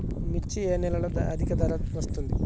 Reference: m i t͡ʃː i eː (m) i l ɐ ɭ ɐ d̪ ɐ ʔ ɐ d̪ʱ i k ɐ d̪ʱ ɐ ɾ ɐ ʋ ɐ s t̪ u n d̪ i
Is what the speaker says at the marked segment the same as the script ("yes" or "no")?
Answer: no